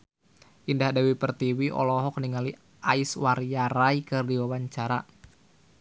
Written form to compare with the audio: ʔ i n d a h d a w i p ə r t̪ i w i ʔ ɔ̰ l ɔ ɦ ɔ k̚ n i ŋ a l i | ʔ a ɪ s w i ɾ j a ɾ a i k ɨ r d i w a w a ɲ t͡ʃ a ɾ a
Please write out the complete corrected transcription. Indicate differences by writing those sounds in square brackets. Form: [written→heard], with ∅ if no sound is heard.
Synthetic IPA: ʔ i n d a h d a w i p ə r t̪ i w i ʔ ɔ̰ l ɔ ɦ ɔ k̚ n i ŋ a l i | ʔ a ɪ s w [i→a] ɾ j a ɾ a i k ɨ r d i w a w a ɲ t͡ʃ a ɾ a